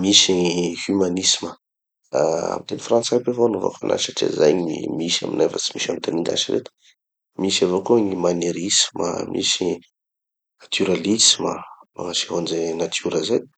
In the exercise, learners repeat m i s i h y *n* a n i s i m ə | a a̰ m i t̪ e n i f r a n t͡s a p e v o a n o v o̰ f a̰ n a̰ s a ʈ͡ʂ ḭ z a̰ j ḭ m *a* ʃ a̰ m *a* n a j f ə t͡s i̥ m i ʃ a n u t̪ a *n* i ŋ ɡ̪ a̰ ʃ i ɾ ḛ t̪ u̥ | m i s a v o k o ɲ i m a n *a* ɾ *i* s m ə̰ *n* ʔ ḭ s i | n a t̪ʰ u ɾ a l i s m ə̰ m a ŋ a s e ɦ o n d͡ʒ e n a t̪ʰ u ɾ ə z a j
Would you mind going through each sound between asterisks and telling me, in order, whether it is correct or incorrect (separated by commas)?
incorrect, incorrect, incorrect, correct, incorrect, correct, incorrect